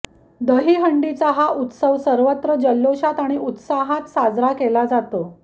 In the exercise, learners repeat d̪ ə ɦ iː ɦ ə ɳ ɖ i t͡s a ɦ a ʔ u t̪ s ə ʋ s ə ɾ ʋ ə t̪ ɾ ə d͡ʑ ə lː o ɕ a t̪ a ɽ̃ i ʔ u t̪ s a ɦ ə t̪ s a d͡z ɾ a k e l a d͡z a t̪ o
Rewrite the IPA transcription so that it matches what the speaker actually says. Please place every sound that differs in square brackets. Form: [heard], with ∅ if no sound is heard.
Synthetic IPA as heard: d̪ ə ɦ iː ɦ ə ɳ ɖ i t͡s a ɦ a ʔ u t̪ s ə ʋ s ə ɾ ʋ ə t̪ ɾ ə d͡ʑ ə lː o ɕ a t̪ a ɽ̃ i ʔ u t̪ s a ɦ [a] t̪ s a d͡z ɾ a k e l a d͡z a t̪ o